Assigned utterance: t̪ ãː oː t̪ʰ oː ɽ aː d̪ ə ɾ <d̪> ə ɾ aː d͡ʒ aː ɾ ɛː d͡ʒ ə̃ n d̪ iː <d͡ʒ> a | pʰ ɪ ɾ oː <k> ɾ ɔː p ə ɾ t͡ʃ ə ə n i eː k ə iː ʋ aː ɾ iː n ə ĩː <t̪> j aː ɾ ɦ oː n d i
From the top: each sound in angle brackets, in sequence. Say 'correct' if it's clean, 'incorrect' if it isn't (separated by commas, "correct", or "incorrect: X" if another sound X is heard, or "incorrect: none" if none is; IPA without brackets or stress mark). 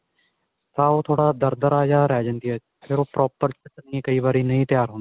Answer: correct, incorrect: none, incorrect: p, correct